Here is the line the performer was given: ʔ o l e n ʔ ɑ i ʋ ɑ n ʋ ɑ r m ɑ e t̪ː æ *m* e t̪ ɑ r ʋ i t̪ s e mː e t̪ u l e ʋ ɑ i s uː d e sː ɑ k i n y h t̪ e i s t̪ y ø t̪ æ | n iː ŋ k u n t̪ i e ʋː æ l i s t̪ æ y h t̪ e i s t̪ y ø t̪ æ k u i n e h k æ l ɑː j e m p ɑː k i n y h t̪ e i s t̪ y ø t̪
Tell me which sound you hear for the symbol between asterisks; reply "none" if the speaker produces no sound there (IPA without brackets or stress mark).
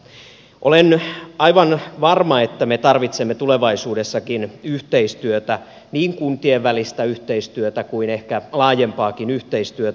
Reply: m